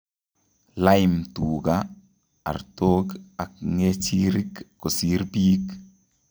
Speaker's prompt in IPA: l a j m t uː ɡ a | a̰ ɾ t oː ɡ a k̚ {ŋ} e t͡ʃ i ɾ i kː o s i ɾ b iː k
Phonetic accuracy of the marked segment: correct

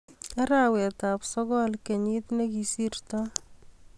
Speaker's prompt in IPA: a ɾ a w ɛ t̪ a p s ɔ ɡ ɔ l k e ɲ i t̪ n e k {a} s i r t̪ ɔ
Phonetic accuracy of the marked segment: incorrect: i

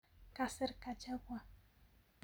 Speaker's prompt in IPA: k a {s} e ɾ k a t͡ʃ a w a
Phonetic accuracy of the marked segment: correct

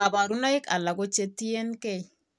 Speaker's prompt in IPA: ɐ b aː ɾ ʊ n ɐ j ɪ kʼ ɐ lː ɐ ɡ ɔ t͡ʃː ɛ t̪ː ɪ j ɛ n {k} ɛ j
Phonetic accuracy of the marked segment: correct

